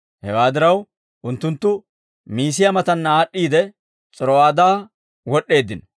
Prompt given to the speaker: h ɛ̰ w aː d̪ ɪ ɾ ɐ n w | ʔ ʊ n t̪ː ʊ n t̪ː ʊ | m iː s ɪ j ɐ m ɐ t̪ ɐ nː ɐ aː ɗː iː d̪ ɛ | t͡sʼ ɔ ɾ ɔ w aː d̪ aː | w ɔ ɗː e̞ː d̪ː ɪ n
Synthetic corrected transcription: h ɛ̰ w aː d̪ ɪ ɾ ɐ w | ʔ ʊ n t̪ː ʊ n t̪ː ʊ | m iː s ɪ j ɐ m ɐ t̪ ɐ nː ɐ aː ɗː iː d̪ ɛ | t͡sʼ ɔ ɾ ɔ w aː d̪ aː | w ɔ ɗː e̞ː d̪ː ɪ n